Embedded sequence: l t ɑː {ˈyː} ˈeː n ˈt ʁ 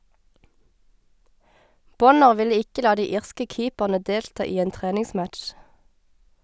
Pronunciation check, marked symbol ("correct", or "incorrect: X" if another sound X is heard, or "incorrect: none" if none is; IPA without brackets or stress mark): incorrect: iː